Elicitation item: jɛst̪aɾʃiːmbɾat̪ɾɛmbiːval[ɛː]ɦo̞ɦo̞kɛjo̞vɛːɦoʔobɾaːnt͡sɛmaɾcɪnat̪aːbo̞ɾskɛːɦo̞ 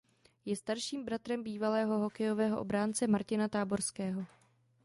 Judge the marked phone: correct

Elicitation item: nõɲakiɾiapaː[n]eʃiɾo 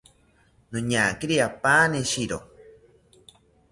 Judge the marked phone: correct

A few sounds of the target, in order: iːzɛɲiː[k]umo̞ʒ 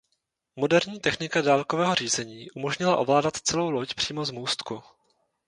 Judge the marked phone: incorrect: ʔ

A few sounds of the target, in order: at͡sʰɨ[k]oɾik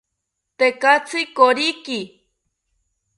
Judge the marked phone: correct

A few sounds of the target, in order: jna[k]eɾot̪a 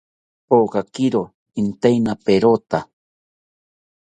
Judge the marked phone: incorrect: p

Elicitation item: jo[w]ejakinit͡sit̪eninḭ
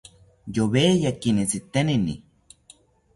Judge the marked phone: incorrect: β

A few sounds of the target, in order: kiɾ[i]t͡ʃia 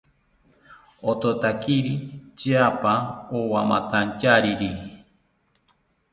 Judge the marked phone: correct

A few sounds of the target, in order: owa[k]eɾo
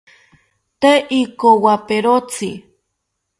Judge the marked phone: incorrect: p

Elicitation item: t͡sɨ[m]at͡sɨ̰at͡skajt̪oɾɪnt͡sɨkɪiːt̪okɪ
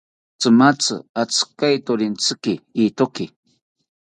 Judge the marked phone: correct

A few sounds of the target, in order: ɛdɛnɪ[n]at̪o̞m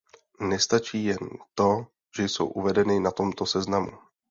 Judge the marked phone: correct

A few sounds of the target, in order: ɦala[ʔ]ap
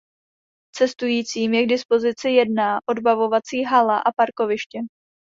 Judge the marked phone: correct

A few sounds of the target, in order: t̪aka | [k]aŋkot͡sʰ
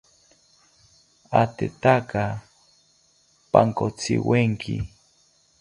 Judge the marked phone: incorrect: p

